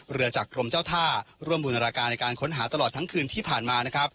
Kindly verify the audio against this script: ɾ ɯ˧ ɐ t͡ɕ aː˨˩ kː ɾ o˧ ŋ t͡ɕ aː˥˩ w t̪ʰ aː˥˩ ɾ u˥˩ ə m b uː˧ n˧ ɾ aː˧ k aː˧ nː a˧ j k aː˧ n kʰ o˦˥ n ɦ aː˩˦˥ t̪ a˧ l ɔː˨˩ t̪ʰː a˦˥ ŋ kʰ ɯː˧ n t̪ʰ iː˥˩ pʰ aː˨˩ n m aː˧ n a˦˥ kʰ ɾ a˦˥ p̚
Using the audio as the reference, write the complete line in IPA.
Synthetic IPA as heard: ɾ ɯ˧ ɐ t͡ɕ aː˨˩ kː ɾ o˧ m t͡ɕ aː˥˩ w t̪ʰ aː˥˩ ɾ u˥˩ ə m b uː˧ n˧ ɾ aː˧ k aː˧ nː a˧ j k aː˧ n kʰ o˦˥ n ɦ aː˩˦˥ t̪ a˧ l ɔː˨˩ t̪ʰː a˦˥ ŋ kʰ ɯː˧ n t̪ʰ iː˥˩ pʰ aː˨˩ n m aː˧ n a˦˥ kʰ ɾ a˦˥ p̚